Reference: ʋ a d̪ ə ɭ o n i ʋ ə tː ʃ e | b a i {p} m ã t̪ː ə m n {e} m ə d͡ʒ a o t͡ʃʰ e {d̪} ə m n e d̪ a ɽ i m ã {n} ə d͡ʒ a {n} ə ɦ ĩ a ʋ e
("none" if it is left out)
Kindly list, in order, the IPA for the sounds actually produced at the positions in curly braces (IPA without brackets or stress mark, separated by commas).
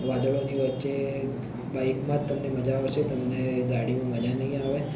k, e, t̪, m, n